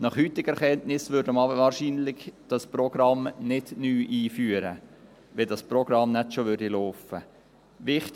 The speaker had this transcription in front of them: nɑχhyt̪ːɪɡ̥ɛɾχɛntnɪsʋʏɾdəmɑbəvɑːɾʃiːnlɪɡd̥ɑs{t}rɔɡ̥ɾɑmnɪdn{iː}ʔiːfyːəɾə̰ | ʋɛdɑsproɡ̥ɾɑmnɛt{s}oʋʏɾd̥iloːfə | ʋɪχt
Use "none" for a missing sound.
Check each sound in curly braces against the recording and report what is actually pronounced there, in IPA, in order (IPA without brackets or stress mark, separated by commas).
p, yː, ʃ